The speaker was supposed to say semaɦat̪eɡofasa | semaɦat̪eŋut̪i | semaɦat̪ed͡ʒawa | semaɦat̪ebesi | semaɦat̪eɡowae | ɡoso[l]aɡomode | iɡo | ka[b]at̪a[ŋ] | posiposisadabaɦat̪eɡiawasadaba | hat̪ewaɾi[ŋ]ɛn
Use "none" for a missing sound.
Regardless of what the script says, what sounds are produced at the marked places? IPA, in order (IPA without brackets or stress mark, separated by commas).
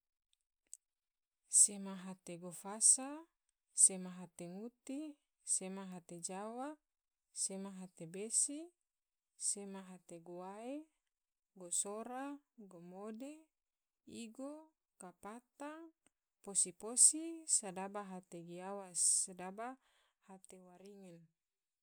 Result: ɾ, p, ŋ, ŋ